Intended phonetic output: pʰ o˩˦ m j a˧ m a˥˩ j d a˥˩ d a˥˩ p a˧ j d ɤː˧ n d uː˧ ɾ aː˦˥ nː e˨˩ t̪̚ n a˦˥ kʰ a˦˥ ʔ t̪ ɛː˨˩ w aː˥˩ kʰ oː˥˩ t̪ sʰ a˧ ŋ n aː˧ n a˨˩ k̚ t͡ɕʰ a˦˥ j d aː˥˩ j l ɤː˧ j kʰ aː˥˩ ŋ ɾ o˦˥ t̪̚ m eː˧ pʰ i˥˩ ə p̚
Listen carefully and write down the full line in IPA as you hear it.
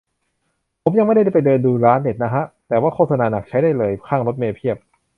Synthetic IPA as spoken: pʰ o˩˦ m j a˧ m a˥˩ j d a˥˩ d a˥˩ p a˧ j d ɤː˧ n d uː˧ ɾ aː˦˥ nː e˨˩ t̪̚ n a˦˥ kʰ a˦˥ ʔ t̪ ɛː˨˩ w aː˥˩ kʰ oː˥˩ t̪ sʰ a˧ n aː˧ n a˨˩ k̚ t͡ɕʰ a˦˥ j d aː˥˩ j l ɤː˧ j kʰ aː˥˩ ŋ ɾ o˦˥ t̪̚ m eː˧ pʰ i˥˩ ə p̚